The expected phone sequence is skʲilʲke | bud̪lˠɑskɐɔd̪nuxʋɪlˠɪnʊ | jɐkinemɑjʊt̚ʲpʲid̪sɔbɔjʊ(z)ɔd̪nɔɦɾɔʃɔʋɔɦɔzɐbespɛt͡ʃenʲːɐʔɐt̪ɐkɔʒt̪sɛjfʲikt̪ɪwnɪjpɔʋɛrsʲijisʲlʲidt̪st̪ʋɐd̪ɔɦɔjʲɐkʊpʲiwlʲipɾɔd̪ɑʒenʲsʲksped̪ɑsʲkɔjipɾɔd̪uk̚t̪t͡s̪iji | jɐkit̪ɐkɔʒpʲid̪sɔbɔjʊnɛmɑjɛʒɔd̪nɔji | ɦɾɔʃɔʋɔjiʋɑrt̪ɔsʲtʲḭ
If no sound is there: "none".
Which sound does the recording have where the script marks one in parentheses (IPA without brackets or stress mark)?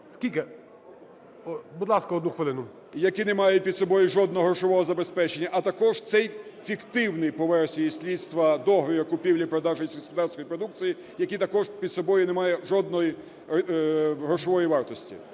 ʒ